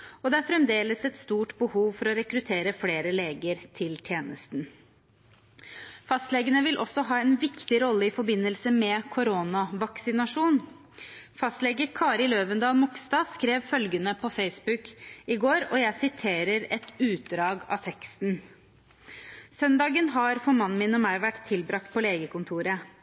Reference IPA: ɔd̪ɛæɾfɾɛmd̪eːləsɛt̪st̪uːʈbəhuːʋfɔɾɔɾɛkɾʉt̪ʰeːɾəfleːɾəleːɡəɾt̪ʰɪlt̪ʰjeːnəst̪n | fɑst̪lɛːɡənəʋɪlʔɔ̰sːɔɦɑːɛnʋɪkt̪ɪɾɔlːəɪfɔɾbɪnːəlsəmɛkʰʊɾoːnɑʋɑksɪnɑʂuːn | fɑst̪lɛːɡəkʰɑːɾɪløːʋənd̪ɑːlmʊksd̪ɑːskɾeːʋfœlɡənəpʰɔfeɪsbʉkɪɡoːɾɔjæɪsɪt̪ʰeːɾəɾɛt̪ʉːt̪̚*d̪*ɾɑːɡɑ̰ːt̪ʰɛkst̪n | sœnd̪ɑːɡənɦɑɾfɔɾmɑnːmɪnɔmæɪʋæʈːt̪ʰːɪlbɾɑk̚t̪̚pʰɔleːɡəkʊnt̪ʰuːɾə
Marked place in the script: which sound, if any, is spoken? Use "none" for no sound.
d̪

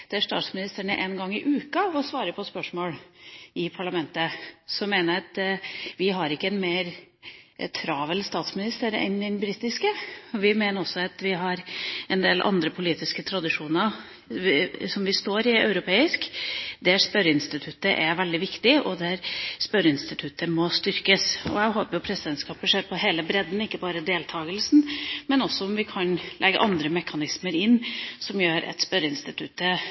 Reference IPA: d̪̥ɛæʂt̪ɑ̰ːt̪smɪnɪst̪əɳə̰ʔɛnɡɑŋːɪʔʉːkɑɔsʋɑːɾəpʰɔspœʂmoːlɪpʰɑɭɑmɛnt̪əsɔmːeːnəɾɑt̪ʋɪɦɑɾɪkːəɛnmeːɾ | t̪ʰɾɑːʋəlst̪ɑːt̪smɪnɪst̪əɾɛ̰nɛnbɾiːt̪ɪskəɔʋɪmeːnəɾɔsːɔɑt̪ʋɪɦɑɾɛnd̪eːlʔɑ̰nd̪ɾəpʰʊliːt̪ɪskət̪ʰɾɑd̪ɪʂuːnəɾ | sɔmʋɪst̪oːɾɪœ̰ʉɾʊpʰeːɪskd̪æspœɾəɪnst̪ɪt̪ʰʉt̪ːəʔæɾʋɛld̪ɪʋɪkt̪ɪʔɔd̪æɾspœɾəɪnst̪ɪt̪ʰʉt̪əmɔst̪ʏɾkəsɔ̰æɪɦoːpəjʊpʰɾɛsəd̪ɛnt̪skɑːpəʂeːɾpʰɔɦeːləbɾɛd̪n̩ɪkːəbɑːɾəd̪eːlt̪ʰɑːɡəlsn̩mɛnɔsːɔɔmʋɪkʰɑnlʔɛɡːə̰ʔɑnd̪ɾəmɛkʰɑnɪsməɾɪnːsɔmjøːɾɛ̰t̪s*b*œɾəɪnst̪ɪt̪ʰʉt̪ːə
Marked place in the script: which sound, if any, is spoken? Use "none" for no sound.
p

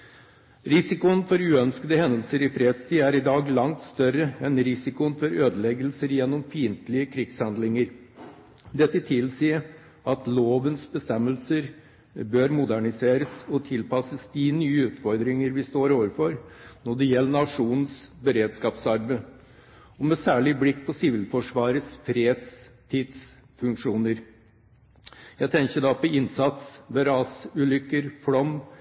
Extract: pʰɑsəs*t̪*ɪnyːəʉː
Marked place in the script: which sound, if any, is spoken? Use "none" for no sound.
d̪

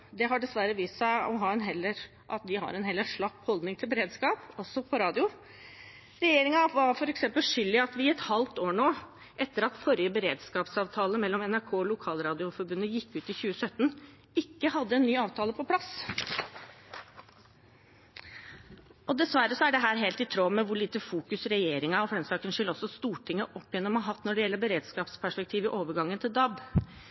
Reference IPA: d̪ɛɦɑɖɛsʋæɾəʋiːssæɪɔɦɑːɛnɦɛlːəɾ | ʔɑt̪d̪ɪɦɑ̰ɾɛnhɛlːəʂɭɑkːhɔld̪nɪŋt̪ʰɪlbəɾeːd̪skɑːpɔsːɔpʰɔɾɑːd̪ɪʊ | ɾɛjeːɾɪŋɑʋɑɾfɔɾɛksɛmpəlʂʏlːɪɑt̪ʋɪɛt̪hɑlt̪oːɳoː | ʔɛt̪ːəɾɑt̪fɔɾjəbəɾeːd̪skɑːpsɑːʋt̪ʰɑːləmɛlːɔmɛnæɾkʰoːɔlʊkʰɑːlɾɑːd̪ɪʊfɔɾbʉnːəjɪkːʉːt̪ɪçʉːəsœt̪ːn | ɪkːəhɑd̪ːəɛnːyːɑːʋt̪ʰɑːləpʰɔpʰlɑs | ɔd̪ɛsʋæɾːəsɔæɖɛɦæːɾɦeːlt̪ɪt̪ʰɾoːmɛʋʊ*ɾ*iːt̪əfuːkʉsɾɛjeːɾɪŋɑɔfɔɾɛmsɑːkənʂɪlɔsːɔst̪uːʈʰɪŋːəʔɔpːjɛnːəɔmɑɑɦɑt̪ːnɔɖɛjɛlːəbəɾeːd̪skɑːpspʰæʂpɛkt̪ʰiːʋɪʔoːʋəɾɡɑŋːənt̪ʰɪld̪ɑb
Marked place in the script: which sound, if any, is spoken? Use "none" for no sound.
ɭ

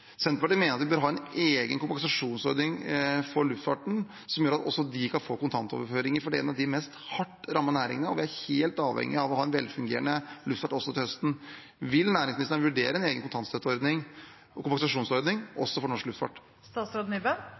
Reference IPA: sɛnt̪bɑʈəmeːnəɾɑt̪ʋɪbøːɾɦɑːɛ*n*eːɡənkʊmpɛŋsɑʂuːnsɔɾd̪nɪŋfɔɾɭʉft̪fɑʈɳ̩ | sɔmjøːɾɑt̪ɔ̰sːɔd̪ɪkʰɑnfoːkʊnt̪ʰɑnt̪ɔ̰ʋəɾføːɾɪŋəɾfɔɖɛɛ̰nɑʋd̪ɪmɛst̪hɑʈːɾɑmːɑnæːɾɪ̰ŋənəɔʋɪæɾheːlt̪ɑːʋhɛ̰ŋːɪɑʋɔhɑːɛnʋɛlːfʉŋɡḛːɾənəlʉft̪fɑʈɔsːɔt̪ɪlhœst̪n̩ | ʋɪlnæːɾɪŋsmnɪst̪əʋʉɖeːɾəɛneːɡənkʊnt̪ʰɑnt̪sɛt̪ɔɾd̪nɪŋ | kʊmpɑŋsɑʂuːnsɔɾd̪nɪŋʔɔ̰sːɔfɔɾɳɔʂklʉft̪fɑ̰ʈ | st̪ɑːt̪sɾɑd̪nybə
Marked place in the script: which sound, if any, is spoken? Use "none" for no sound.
n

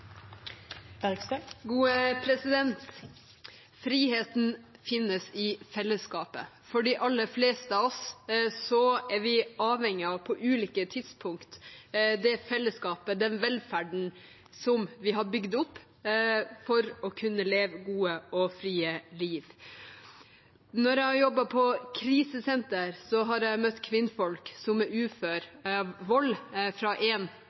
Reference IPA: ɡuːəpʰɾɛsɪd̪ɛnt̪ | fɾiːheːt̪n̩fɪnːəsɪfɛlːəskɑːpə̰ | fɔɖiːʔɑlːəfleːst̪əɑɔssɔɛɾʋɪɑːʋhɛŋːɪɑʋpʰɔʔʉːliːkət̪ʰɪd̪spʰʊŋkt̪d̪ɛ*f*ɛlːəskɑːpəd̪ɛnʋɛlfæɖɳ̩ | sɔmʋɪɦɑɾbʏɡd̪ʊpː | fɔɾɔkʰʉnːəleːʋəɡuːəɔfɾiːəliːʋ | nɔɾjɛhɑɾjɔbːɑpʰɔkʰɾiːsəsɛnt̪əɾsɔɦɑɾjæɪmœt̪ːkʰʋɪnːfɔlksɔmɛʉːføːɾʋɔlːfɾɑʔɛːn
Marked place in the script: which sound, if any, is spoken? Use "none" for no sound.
f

